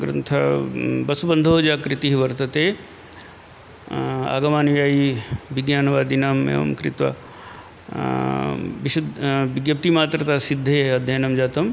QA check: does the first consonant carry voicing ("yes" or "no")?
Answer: yes